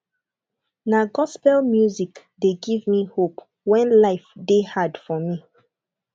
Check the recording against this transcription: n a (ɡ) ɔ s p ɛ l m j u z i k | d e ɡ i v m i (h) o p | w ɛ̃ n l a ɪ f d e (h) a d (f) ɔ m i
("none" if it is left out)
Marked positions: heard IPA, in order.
ɡ, h, h, f

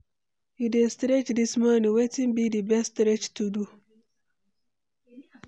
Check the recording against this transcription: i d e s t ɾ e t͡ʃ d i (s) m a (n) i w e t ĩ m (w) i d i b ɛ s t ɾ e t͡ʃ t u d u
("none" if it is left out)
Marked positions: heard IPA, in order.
s, n, b

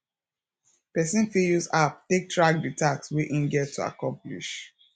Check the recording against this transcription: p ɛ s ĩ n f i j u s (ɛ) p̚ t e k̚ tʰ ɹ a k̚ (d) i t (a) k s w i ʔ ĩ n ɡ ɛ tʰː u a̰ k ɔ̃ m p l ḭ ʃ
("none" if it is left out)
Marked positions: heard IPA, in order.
a, d, a

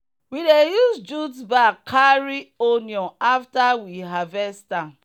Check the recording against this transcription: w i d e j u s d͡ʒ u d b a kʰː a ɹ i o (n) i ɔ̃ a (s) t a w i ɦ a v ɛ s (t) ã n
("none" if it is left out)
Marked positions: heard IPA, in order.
n, f, t

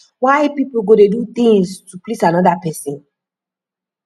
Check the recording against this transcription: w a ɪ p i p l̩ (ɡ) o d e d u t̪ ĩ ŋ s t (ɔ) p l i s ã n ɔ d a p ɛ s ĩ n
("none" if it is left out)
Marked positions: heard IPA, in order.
ɡ, u

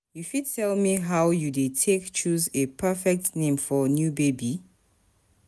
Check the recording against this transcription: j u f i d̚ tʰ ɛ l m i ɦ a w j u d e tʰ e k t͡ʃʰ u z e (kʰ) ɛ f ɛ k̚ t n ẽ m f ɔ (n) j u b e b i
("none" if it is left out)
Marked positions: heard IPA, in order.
pʰ, n

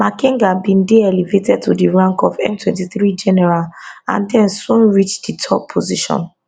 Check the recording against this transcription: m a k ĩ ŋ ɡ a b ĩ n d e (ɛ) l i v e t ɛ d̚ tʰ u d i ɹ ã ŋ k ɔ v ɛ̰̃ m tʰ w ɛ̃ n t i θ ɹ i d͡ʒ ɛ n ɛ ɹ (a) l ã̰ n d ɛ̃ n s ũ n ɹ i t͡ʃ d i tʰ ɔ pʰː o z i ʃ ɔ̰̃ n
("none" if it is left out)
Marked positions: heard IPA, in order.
ɛ, a

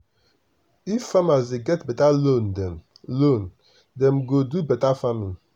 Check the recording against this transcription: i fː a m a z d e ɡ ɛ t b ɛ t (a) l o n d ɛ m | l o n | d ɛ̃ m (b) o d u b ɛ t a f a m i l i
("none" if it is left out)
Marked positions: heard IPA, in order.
a, ɡ

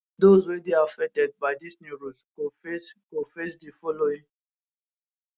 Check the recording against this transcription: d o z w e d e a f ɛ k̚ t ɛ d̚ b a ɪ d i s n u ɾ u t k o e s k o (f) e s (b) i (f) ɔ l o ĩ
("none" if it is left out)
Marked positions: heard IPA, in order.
f, d, f

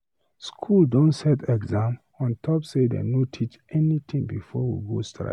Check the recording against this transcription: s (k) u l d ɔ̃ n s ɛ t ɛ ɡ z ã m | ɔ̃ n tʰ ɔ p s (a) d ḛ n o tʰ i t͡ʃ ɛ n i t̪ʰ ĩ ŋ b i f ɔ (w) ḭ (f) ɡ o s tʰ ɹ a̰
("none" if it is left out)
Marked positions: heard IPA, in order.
kʰ, e, w, none

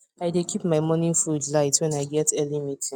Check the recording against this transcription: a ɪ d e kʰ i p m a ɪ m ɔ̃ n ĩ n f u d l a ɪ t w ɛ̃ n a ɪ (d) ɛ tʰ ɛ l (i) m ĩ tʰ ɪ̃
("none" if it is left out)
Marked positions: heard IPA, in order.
ɡ, i

